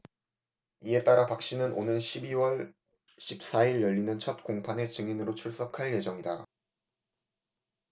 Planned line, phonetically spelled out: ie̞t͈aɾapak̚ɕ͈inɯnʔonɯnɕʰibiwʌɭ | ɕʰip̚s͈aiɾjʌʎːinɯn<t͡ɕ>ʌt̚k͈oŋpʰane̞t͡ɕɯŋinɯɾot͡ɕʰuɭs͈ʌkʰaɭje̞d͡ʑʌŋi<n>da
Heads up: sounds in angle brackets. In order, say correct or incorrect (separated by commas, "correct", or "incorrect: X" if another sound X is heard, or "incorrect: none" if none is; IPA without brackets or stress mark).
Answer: incorrect: t͡ɕʰ, incorrect: none